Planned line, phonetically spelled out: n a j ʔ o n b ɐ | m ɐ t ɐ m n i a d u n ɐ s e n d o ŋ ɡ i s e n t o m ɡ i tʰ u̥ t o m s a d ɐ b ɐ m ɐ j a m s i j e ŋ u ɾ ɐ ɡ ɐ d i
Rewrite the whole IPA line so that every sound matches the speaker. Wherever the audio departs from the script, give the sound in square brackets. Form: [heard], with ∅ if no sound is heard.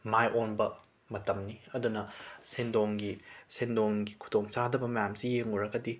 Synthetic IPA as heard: [m] a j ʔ o n b ɐ | m ɐ t ɐ m n i [ɐ] d u n ɐ s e n d o ŋ ɡ i s e n [d] o [ŋ] ɡ i [kʰ] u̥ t o [ŋ] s a d ɐ b ɐ m ɐ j a m s i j e ŋ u ɾ ɐ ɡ ɐ d i